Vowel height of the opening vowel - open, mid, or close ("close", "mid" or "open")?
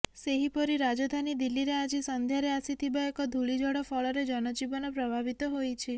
mid